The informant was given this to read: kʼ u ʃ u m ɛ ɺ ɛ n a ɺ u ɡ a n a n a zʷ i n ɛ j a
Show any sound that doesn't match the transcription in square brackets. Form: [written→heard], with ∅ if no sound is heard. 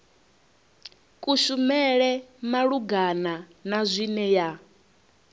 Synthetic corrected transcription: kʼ u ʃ u m ɛ ɺ ɛ [n→m] a ɺ u ɡ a n a n a zʷ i n ɛ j a